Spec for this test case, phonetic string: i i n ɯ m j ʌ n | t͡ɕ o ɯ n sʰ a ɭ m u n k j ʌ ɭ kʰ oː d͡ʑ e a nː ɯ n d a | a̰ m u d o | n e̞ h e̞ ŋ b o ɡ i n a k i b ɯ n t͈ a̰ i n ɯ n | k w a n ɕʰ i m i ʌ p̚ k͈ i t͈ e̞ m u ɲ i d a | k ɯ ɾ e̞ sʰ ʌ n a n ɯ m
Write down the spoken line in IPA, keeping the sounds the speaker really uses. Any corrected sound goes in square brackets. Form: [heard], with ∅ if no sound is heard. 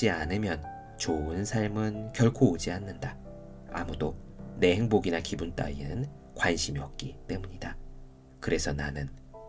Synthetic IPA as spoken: i [a] n ɯ m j ʌ n | t͡ɕ o ɯ n sʰ a ɭ m [ɯ] n k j ʌ ɭ kʰ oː d͡ʑ [i] a nː ɯ n d a | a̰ m u d o | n e̞ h e̞ ŋ b o ɡ i n a k i b [u] n t͈ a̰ i n ɯ n | k w a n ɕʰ i m i ʌ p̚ k͈ i t͈ e̞ m u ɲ i d a | k ɯ ɾ e̞ sʰ ʌ n a n ɯ [n]